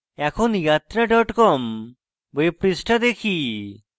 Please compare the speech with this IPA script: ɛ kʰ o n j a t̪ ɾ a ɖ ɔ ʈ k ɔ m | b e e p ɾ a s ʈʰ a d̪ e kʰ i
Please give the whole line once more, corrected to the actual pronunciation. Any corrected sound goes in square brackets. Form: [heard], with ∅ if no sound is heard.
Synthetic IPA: ɛ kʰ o n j a t̪ ɾ a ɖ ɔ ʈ k ɔ m | b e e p ɾ [i] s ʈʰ a d̪ e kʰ i